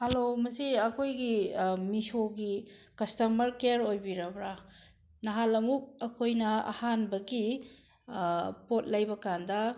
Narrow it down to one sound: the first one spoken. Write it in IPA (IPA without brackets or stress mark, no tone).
h